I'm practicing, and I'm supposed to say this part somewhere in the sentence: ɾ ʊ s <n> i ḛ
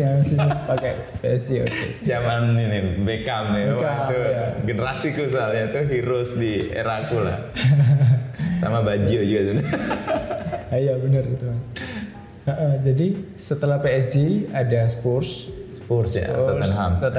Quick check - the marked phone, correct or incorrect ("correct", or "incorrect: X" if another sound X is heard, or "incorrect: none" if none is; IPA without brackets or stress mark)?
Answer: incorrect: d